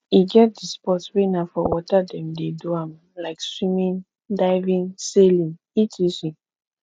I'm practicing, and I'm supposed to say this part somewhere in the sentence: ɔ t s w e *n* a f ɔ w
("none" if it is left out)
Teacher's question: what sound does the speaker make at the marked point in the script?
n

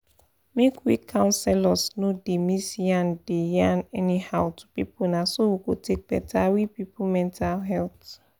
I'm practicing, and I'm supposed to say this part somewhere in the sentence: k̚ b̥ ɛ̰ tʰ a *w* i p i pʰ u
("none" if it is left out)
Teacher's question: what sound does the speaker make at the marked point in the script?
w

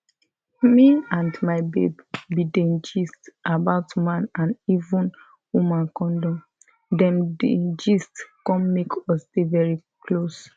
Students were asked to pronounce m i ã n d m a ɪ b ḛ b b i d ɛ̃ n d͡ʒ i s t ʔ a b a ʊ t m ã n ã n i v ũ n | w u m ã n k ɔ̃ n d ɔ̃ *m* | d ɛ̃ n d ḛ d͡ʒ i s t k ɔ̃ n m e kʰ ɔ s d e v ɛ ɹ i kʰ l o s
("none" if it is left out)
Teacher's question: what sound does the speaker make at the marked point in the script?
m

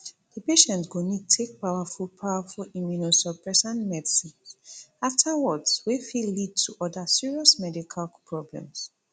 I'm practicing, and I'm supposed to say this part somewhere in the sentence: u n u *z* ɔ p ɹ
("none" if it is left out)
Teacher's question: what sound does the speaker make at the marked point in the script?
s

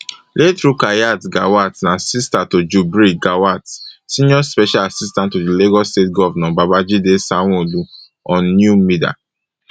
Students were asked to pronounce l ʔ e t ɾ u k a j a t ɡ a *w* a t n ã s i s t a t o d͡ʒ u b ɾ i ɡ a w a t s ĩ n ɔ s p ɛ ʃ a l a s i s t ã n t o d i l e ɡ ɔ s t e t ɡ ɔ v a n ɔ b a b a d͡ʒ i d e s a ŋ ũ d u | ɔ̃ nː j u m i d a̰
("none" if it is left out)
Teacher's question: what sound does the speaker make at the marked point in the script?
w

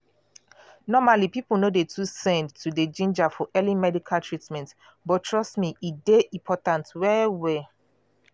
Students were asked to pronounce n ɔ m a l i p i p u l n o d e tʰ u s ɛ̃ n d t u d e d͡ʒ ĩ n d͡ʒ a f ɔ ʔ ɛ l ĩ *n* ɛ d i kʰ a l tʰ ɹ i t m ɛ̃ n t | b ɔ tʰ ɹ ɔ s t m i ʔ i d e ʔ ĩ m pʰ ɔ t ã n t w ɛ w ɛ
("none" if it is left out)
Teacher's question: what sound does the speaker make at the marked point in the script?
m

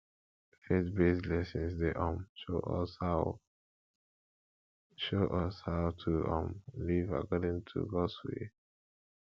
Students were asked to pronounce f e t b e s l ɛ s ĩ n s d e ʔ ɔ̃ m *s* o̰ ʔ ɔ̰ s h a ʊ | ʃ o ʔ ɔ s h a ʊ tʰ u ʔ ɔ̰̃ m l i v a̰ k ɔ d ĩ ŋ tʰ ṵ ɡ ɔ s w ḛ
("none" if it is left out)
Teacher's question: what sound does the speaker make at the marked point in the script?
ʃ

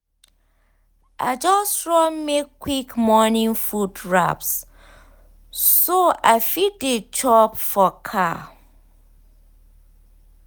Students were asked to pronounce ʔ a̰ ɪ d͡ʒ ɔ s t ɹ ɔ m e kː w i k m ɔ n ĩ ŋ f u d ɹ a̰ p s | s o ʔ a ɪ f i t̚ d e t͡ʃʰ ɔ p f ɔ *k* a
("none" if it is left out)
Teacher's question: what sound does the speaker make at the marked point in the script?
kʰ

